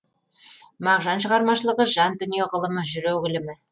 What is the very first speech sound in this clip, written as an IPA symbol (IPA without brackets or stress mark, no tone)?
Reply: m